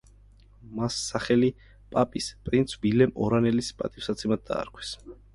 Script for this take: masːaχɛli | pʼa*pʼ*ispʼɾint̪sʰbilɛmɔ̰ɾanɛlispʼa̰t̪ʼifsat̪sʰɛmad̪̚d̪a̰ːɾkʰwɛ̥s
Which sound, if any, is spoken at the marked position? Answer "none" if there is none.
pʼ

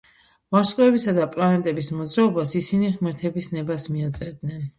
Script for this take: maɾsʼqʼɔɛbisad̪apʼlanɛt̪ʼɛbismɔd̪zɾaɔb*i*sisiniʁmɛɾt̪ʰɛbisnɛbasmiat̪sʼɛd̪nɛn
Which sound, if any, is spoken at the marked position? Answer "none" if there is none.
a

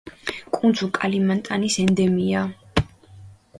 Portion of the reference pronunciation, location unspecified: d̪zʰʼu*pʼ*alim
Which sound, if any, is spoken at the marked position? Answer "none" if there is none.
kʼ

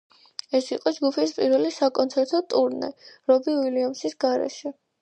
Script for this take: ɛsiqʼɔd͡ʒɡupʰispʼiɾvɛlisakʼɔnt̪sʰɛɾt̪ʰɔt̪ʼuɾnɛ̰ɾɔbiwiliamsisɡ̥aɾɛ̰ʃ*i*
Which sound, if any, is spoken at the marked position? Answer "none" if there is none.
ɛ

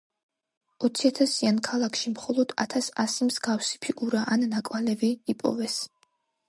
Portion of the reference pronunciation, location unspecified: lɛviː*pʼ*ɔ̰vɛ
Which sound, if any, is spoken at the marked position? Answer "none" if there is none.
pʼ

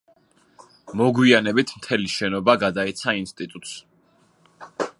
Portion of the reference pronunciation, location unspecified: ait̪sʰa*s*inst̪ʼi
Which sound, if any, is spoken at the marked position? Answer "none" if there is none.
none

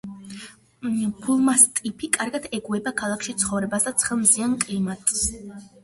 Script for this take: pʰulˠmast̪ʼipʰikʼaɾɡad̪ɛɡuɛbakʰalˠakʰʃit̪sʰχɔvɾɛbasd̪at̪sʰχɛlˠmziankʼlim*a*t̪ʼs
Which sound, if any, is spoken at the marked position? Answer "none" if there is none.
a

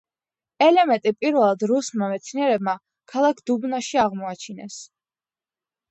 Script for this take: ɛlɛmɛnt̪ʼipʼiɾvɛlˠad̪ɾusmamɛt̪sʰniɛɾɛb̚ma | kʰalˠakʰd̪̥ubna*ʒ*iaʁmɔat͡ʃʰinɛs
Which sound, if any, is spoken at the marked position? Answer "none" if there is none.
ʃ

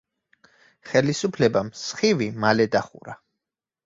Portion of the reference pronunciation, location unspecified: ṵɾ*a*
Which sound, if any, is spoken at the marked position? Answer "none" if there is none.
a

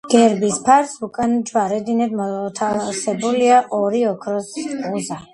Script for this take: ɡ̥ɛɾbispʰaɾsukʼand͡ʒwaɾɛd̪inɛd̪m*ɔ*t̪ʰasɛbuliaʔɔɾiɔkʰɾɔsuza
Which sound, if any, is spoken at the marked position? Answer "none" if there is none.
ɔ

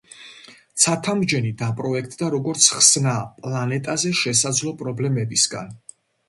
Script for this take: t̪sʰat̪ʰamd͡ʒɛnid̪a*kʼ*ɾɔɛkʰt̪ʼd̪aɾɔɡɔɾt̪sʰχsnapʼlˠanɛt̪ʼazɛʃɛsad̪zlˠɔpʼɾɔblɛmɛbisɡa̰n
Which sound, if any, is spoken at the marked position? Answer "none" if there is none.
pʼ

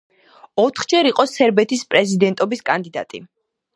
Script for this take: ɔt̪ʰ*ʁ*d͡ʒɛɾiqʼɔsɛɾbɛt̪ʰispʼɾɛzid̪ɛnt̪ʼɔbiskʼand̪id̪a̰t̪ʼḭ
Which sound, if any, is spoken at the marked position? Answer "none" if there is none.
χ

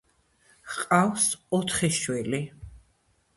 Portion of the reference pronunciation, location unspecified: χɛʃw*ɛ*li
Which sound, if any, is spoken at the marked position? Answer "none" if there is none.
ɛ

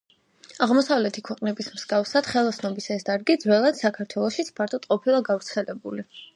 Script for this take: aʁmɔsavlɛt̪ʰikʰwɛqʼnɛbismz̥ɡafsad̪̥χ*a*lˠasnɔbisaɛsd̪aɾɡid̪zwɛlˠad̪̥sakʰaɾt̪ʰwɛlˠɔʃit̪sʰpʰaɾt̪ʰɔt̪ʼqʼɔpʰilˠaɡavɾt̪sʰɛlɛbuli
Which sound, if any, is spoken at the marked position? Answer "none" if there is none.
ɛ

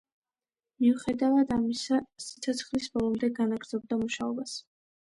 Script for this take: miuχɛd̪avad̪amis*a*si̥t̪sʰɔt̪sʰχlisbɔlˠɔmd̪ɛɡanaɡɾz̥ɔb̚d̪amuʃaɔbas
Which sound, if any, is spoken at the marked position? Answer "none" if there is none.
a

